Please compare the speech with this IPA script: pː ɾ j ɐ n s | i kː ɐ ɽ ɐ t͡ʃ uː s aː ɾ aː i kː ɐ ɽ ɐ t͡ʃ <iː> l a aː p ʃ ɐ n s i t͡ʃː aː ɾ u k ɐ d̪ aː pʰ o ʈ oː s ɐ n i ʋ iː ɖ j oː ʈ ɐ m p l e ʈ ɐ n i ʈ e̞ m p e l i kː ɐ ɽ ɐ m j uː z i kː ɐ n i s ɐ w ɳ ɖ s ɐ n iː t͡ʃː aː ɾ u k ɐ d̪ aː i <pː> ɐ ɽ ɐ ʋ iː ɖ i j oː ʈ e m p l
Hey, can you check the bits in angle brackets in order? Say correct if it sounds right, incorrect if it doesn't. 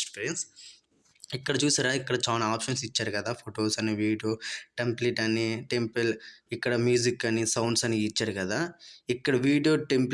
incorrect: aː, incorrect: kː

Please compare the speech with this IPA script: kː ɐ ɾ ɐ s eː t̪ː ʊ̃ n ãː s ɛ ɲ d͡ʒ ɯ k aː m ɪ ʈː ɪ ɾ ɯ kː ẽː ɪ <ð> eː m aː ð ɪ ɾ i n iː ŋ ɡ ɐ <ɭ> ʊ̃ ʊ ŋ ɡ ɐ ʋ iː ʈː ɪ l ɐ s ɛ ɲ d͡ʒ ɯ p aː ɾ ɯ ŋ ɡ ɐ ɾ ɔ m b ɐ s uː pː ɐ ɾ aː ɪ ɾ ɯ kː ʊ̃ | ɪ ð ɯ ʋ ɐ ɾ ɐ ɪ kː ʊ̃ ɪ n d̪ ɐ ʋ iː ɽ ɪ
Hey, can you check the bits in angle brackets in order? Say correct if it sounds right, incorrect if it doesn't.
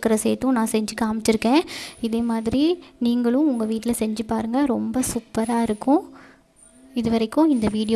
correct, correct

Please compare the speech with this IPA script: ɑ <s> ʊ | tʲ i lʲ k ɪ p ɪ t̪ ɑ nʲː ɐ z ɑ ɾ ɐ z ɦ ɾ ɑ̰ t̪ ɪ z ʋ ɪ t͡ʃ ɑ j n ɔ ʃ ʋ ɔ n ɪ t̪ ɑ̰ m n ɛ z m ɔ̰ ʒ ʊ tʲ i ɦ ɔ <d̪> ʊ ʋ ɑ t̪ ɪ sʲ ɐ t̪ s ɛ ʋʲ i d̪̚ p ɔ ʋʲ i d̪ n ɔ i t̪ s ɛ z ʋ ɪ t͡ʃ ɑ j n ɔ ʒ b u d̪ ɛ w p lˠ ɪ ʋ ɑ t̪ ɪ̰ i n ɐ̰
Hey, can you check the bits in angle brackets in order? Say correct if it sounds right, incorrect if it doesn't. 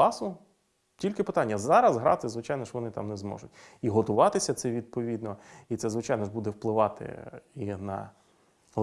correct, incorrect: t̪

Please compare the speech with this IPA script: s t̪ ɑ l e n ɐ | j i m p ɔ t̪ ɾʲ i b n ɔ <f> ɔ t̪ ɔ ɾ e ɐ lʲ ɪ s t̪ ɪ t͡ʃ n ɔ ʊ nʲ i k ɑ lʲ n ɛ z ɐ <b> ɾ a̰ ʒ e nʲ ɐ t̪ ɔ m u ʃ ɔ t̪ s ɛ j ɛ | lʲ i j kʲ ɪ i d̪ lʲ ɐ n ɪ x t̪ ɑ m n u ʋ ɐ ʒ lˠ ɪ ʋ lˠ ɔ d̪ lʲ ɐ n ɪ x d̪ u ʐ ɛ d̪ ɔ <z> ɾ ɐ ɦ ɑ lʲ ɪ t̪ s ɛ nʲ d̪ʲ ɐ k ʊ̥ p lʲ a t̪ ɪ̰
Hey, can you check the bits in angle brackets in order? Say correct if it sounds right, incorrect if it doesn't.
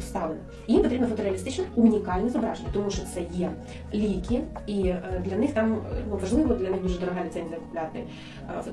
correct, correct, incorrect: none

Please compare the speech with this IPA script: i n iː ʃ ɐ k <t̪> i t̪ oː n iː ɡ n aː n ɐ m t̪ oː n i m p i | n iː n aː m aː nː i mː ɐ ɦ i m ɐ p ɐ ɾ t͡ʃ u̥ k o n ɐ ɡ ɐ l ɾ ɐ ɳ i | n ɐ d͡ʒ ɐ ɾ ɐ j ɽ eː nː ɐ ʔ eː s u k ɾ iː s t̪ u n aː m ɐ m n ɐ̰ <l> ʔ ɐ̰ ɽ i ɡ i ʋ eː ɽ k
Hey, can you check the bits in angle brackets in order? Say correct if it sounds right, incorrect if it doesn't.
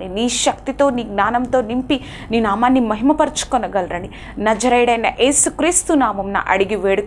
correct, incorrect: none

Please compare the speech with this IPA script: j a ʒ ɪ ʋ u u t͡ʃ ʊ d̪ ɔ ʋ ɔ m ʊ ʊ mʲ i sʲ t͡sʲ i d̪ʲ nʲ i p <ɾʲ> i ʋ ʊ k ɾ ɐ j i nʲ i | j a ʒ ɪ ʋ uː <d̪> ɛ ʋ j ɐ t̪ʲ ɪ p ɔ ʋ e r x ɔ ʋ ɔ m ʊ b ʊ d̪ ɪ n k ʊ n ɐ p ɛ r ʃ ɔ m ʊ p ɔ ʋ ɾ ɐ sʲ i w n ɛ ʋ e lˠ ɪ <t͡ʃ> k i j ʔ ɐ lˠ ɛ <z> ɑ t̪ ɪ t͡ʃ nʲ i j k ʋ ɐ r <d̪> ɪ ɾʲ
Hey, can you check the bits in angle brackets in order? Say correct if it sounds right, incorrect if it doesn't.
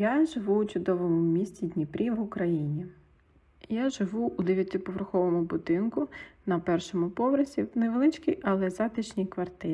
correct, correct, correct, correct, incorrect: t̪

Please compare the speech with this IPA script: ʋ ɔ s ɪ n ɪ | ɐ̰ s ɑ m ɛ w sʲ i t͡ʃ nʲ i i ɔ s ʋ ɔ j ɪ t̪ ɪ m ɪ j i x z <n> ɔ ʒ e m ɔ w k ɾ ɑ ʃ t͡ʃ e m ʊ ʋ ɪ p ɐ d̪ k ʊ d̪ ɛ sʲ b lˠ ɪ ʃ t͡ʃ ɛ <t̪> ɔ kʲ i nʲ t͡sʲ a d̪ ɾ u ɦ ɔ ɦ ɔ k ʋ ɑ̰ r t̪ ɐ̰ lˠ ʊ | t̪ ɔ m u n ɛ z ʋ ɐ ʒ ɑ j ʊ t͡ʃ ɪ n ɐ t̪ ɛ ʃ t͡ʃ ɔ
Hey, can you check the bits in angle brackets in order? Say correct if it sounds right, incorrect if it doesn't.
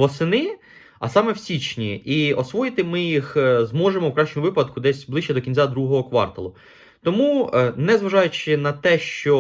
incorrect: m, incorrect: d̪

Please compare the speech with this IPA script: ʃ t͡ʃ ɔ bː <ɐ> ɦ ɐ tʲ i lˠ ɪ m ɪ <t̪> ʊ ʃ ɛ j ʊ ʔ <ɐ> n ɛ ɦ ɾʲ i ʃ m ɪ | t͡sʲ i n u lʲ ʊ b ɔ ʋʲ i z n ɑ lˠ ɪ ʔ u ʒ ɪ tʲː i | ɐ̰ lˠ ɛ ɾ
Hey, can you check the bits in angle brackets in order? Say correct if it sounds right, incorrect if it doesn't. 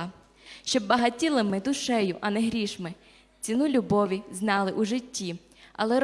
correct, incorrect: d̪, correct

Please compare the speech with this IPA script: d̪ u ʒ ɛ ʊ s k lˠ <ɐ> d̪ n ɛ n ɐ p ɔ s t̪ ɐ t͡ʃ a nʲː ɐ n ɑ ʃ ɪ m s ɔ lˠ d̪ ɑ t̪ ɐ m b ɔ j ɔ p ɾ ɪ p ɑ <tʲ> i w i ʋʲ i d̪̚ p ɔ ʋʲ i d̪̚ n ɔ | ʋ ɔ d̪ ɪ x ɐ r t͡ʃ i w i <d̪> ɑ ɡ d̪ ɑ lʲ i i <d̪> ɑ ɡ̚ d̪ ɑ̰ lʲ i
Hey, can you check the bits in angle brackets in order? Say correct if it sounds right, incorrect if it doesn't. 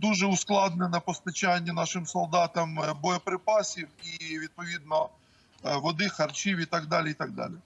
incorrect: ɑ, incorrect: sʲ, incorrect: t̪, incorrect: t̪

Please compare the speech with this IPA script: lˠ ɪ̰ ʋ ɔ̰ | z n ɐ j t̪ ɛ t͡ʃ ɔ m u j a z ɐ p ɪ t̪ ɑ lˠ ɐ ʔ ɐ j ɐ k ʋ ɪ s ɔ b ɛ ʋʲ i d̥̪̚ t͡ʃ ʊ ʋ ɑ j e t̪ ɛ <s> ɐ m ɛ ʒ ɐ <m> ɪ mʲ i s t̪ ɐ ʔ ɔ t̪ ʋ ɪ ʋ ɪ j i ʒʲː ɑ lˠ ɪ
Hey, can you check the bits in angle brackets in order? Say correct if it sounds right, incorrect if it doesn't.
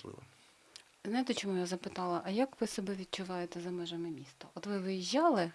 incorrect: z, correct

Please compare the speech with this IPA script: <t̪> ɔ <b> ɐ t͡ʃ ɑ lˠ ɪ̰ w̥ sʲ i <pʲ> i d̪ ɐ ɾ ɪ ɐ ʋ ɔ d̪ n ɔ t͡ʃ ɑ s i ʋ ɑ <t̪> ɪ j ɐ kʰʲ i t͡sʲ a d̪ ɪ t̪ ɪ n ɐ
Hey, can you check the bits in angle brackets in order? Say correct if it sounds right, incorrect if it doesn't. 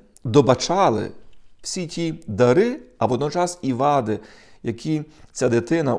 incorrect: d̪, correct, incorrect: tʲ, incorrect: d̪

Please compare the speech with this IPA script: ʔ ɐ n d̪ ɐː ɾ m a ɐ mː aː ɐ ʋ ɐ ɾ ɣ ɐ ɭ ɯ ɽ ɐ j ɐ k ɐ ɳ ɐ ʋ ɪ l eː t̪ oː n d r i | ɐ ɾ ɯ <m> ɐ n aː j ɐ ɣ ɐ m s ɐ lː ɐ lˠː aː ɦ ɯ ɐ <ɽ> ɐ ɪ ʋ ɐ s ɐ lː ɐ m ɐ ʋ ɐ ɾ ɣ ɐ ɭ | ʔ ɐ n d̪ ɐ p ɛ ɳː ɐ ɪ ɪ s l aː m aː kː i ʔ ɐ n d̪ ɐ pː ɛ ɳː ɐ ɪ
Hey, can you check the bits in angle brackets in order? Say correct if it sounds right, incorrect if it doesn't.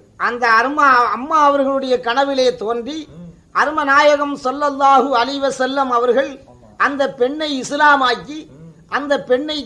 correct, incorrect: l

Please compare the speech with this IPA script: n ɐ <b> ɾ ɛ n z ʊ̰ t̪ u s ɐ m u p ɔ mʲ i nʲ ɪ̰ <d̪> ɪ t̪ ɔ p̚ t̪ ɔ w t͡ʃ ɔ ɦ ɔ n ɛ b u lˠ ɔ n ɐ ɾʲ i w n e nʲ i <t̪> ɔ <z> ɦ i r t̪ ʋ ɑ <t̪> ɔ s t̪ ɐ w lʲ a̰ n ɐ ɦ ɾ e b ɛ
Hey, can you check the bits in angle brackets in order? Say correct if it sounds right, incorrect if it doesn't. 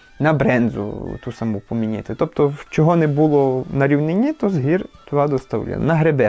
correct, incorrect: t̪, correct, correct, incorrect: d̪

